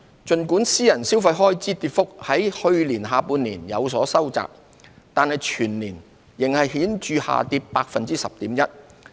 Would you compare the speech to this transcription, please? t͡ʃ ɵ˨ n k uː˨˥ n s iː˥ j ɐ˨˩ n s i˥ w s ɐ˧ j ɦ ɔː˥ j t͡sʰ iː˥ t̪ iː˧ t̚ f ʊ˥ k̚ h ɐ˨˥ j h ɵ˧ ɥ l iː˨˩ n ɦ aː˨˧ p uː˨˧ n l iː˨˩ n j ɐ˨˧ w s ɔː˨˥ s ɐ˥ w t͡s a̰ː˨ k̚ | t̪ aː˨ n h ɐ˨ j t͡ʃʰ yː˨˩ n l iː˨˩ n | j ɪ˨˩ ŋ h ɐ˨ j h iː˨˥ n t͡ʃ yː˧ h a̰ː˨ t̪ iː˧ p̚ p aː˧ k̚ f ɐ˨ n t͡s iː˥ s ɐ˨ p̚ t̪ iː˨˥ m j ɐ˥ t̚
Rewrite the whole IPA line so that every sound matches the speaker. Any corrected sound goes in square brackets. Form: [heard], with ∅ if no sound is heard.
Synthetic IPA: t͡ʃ ɵ˨ n k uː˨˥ n s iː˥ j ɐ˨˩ n s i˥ w [f] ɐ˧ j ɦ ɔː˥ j [t͡s] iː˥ t̪ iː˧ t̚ f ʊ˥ k̚ h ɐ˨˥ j h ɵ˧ ɥ l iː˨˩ n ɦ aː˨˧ p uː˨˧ n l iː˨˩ n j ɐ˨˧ w s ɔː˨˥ s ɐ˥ w t͡s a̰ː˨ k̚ | t̪ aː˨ n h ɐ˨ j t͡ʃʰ yː˨˩ n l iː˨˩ n | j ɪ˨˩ ŋ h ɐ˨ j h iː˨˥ n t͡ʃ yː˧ h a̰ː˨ t̪ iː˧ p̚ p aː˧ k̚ f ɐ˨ n t͡s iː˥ s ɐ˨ p̚ t̪ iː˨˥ m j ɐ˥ t̚

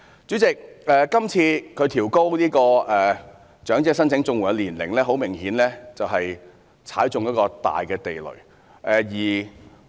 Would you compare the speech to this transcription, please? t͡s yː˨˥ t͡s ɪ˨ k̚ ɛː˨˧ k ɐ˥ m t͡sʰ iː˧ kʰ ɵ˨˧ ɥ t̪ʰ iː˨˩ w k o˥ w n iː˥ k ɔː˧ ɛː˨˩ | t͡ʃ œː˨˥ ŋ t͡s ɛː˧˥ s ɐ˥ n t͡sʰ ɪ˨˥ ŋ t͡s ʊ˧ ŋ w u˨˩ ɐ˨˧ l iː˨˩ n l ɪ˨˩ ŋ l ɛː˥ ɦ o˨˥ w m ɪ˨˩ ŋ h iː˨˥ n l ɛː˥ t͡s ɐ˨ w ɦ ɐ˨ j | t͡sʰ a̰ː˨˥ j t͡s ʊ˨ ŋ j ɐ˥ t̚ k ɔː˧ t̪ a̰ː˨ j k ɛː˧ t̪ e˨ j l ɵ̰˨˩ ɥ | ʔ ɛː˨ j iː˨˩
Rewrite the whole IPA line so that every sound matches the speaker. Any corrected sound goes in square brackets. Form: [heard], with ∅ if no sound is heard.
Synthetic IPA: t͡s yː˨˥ t͡s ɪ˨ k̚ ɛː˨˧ k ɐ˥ m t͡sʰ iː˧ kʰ ɵ˨˧ ɥ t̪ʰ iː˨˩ w k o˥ w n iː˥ k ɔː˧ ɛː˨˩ | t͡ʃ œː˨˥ ŋ t͡s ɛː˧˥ s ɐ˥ n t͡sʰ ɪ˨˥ ŋ t͡s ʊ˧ ŋ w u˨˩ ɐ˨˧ l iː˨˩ n l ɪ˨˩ ŋ l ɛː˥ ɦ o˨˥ w m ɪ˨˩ ŋ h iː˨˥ n l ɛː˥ t͡s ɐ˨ w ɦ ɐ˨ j | t͡sʰ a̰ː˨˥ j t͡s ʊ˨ ŋ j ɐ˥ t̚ k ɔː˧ t̪ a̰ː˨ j k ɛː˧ t̪ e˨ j l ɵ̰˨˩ ɥ | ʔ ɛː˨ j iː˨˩

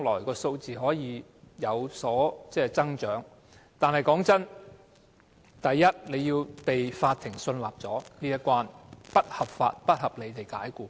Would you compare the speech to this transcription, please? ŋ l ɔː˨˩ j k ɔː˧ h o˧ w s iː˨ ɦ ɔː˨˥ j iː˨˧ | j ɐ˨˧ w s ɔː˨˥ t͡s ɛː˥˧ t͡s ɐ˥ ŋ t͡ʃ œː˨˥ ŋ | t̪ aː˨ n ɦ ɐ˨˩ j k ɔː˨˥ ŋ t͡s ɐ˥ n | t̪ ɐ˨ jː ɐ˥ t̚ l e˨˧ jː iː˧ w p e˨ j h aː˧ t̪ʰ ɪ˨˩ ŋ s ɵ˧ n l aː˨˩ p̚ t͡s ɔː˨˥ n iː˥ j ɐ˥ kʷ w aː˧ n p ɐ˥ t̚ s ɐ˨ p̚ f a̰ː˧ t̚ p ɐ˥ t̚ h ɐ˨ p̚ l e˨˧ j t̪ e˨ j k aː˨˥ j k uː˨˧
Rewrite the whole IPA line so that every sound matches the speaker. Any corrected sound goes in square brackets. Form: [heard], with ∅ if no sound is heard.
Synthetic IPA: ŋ l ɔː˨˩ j k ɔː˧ [s] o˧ w [t͡s] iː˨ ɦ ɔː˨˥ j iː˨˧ | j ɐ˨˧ w s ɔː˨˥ t͡s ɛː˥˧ t͡s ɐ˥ ŋ t͡ʃ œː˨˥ ŋ | t̪ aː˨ n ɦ ɐ˨˩ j k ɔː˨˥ ŋ t͡s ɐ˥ n | t̪ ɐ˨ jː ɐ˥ t̚ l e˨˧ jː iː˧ w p e˨ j [f] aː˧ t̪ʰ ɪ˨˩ ŋ s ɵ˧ n l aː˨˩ p̚ t͡s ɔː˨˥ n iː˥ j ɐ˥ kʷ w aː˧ n p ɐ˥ t̚ [h] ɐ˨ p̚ f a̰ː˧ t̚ p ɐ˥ t̚ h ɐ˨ p̚ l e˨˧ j t̪ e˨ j k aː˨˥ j k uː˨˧

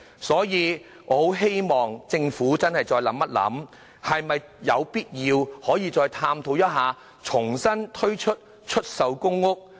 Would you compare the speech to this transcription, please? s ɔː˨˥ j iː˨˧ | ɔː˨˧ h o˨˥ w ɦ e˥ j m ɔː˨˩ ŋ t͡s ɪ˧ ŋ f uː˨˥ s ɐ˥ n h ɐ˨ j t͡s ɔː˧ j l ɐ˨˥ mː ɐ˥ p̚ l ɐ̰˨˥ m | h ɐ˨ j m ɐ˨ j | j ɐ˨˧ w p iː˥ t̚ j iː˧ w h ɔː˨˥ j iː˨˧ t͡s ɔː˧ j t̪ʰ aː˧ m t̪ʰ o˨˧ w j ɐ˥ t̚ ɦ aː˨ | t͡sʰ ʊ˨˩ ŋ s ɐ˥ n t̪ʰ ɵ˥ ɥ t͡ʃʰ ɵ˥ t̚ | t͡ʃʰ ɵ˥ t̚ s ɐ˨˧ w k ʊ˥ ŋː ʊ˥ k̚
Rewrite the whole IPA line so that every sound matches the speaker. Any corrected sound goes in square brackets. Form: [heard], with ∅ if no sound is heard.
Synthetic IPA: s ɔː˨˥ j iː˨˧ | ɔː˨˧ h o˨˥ w ɦ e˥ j m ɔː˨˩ ŋ t͡s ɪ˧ ŋ f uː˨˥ [t͡s] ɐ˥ n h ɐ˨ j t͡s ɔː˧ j l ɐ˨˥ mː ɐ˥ [t̚] l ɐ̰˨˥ m | h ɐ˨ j m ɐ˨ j | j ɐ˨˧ w p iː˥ t̚ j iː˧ w h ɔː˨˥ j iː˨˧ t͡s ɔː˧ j t̪ʰ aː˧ m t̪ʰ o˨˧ w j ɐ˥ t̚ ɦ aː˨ | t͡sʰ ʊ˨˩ ŋ s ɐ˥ n t̪ʰ ɵ˥ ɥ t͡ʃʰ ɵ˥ t̚ | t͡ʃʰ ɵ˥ t̚ s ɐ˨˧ w k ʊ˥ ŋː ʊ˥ k̚

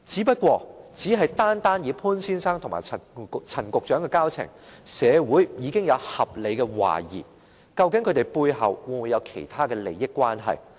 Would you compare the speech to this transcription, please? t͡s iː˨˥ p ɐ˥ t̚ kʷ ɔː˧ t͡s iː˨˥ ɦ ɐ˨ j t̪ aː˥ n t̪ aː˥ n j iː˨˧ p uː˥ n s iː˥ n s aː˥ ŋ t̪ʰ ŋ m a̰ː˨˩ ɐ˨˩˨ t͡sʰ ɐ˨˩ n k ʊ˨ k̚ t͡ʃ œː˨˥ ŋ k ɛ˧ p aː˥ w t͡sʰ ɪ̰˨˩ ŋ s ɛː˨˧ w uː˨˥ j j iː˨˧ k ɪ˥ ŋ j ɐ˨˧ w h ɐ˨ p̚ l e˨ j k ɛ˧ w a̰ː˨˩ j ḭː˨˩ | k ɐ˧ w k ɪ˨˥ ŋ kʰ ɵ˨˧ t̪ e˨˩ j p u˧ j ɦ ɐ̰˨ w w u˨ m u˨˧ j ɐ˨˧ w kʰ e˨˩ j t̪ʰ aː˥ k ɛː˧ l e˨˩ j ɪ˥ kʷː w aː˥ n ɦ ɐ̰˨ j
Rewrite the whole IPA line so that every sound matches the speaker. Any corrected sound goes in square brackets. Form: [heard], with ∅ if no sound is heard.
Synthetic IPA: t͡s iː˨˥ p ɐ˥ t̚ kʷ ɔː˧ t͡s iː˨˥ ɦ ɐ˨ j t̪ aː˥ n t̪ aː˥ n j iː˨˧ [pʰ] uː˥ n s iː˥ n s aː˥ ŋ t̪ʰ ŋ m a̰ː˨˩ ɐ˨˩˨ t͡sʰ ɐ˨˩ n k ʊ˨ k̚ t͡ʃ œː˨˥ ŋ k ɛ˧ [k] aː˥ w t͡sʰ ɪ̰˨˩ ŋ s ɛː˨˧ w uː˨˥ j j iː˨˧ k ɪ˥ ŋ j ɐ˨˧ w h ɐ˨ p̚ l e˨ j k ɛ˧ w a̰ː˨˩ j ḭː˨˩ | k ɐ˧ w k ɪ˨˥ ŋ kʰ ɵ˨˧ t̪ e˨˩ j p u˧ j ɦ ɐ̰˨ w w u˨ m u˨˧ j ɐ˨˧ w kʰ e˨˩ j t̪ʰ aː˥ k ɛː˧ l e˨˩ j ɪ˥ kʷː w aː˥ n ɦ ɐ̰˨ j

